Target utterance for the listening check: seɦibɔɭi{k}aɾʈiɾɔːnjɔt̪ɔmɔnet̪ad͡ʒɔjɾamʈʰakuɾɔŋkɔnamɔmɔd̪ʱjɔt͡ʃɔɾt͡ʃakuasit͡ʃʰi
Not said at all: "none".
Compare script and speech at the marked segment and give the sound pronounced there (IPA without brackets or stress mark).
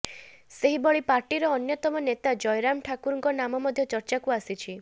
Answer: p